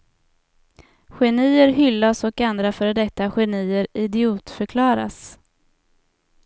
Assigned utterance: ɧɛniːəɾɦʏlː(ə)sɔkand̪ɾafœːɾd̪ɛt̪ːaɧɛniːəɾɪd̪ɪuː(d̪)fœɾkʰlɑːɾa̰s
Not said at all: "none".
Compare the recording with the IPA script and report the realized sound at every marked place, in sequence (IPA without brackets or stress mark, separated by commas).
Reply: a, t̪